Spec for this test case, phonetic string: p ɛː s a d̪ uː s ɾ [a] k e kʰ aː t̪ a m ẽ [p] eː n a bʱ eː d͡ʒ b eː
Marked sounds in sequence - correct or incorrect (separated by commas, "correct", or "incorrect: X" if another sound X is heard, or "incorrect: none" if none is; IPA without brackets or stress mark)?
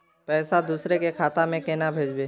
incorrect: e, incorrect: k